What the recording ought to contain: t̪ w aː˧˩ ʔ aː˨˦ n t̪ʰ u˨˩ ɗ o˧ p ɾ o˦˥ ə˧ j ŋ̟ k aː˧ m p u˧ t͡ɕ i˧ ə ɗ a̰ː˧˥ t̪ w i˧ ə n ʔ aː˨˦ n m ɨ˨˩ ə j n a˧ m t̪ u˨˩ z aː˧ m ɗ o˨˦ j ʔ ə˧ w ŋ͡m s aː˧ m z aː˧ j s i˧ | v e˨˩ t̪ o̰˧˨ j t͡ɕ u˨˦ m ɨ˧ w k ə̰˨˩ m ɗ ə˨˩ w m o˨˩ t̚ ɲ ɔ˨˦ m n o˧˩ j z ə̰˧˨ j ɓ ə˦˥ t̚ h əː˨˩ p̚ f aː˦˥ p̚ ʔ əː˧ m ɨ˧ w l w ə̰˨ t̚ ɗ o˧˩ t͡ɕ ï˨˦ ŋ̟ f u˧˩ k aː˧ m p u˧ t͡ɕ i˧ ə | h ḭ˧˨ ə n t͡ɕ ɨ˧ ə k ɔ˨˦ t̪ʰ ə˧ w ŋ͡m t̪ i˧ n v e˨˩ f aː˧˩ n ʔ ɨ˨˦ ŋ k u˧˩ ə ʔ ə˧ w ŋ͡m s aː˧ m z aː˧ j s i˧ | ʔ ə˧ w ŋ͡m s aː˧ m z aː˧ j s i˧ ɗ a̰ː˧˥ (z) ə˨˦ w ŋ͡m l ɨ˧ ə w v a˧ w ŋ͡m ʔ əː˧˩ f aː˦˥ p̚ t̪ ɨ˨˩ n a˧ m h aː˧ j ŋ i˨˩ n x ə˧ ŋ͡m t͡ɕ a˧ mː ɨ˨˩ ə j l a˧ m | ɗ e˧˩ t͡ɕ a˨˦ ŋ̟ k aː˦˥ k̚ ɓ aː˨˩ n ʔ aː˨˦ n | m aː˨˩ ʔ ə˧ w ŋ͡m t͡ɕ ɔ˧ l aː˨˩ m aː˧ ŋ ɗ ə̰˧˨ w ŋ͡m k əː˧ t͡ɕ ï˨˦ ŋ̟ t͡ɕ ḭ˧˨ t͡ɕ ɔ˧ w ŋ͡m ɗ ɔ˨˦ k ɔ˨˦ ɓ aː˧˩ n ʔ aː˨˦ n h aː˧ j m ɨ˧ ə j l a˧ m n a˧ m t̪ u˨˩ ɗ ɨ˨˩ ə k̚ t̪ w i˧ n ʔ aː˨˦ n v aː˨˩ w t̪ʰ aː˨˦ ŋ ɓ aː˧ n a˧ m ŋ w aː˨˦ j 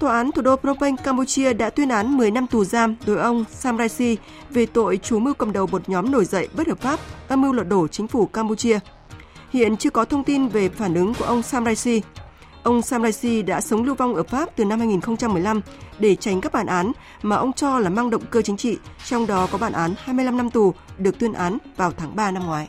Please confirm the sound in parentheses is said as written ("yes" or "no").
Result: no